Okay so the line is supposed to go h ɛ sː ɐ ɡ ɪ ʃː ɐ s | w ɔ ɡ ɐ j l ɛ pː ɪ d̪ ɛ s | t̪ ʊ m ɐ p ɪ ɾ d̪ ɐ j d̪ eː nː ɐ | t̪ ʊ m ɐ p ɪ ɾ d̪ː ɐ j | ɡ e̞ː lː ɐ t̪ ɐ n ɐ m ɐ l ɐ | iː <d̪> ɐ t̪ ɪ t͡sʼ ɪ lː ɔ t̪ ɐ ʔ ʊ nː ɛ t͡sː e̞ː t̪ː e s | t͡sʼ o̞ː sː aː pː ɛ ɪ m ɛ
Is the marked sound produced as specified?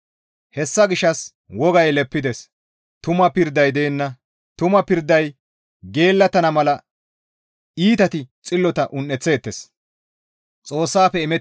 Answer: no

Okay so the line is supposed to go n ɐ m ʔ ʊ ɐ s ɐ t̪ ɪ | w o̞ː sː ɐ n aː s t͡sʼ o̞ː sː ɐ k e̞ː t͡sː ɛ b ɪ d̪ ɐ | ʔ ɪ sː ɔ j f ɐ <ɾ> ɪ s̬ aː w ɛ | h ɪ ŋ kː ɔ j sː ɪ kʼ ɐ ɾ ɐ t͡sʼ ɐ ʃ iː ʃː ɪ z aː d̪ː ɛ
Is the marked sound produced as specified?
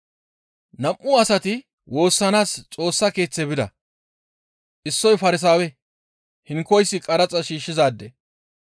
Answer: yes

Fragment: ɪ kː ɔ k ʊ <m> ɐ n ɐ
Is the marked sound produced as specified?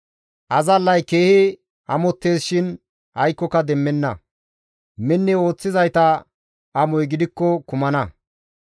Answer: yes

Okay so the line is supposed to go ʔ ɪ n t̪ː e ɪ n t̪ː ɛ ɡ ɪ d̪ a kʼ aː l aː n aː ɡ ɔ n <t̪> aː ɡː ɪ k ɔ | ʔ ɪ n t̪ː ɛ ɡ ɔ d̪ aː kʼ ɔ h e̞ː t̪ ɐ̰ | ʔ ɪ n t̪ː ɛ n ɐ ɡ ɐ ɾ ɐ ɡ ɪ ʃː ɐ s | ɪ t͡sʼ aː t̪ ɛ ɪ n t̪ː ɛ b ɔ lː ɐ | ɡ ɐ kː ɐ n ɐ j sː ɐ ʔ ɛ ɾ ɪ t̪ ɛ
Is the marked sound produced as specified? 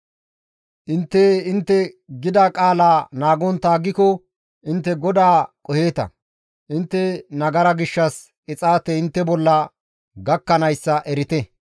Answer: yes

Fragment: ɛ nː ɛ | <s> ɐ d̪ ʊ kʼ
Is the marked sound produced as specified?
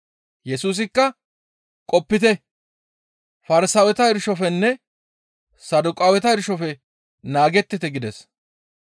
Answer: yes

